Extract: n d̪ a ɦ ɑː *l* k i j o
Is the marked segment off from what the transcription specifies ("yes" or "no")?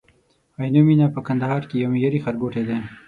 yes